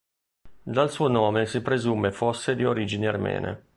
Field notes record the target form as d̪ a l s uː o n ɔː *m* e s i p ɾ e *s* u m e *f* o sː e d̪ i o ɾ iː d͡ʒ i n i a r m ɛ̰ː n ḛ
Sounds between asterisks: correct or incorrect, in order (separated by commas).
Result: correct, incorrect, correct